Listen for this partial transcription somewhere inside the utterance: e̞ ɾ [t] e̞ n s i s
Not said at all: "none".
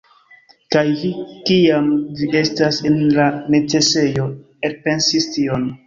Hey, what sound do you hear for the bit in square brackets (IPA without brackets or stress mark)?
p